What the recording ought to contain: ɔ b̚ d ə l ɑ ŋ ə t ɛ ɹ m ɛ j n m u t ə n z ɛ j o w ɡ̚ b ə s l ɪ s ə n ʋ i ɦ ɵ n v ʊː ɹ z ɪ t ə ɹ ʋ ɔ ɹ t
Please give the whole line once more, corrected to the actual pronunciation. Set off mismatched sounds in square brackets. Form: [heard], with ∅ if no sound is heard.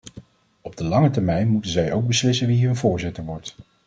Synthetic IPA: ɔ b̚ d ə l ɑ ŋ ə t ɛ ɹ m ɛ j n m u t ə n z ɛ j o w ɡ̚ b ə s l ɪ s ə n ʋ i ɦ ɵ n v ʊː ɹ z ɪ t ə ɹ ʋ ɔ ɹ t